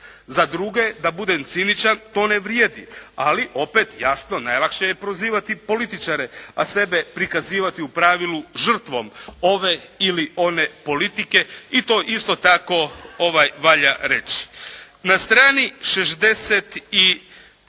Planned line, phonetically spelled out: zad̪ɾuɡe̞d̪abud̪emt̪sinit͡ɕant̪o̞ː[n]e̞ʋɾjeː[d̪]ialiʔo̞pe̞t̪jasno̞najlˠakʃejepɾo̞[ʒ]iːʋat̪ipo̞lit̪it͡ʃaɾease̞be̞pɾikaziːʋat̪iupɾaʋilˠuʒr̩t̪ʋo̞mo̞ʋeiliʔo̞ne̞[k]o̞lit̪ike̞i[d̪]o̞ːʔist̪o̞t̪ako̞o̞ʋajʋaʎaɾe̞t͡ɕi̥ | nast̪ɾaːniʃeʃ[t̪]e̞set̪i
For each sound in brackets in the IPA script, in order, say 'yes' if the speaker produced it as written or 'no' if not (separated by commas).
yes, yes, no, no, no, no